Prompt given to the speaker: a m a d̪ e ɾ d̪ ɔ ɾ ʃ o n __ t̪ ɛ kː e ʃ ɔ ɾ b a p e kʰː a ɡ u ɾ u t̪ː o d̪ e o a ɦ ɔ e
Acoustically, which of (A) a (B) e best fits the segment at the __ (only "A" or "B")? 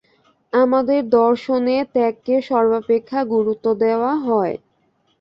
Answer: B